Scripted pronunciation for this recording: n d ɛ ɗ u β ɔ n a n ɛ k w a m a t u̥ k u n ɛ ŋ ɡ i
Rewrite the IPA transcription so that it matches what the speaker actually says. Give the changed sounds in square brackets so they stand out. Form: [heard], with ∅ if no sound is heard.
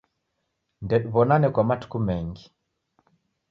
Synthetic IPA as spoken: n d ɛ ɗ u β ɔ n a n ɛ k w a m a t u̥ k u [m] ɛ ŋ ɡ i